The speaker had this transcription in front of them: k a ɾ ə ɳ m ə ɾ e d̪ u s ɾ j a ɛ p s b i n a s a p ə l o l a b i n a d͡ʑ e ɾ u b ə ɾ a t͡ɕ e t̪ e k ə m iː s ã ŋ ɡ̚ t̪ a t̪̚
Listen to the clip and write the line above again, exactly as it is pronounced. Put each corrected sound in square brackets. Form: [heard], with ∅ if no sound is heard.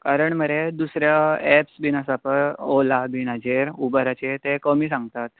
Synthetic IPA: k a ɾ ə ɳ m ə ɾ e d̪ u s ɾ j a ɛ p s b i n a s a p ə [ɾ] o l a b i n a d͡ʑ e ɾ u b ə ɾ a t͡ɕ e t̪ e k ə m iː s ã ŋ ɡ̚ t̪ a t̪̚